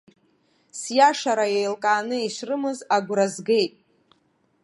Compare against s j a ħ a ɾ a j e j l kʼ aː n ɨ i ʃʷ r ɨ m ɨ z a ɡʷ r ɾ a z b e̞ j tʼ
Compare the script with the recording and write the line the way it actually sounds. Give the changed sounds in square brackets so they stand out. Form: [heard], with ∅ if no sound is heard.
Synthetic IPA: s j a [ʂ] a ɾ a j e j l kʼ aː n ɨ i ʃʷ r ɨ m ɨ z a ɡʷ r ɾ a z [ɡ] e̞ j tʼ